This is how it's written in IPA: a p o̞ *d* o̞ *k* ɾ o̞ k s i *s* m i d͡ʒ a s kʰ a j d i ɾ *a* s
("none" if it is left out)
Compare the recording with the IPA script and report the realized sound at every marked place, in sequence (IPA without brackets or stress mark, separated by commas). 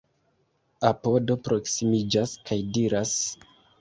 d, p, none, a